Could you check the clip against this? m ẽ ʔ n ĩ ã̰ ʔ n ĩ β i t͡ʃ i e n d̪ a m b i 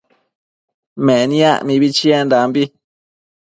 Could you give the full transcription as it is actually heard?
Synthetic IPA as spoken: m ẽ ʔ n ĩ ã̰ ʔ m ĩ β i t͡ʃ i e n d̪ a m b i